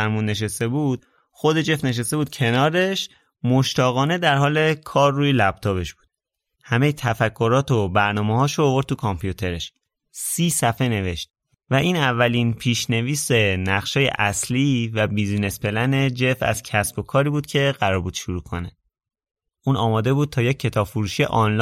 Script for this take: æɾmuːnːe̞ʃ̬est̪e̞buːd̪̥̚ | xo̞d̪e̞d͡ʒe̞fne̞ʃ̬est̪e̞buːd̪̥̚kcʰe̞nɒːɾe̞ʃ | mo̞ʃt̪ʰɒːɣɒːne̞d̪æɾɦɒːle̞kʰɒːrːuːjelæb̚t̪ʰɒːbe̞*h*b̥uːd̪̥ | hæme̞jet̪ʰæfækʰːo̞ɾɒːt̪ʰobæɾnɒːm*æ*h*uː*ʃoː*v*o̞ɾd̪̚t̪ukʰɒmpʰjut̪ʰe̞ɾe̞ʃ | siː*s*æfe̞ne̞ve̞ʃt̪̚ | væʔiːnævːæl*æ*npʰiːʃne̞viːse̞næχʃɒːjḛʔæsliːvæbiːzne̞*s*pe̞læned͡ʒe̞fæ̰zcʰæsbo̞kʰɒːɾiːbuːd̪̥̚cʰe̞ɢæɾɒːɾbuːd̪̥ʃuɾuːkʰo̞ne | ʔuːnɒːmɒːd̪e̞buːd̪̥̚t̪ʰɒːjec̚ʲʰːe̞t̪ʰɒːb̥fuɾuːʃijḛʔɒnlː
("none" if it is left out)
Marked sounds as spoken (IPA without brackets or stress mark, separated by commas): ʃ, e, ɒː, v, s, i, s